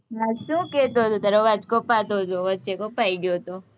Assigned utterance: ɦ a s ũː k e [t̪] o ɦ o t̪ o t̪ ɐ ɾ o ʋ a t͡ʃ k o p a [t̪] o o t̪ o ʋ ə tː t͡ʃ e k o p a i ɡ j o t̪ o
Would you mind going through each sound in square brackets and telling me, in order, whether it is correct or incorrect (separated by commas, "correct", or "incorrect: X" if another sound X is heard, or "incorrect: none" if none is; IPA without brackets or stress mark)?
correct, correct